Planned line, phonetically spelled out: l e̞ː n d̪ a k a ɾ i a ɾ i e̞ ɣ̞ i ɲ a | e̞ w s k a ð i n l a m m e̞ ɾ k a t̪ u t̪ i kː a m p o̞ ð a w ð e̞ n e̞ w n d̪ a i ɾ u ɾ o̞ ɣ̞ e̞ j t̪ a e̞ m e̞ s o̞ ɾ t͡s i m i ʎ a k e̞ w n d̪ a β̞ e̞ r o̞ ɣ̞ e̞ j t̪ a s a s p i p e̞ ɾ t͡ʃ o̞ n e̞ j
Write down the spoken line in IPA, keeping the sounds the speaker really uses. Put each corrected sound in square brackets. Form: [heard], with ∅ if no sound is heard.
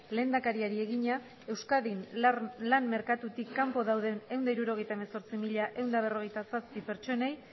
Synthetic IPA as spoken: l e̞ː n d̪ a k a ɾ i a ɾ i e̞ ɣ̞ i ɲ a | e̞ w s k a ð i n l a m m e̞ ɾ k a t̪ u t̪ i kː a m p o̞ ð a w ð e̞ n e̞ w n d̪ a i ɾ u ɾ o̞ ɣ̞ e̞ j t̪ a e̞ m e̞ s o̞ ɾ t͡s i m i ʎ a [ʔ] e̞ w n d̪ a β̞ e̞ r o̞ ɣ̞ e̞ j t̪ a s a s p i p e̞ ɾ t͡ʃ o̞ n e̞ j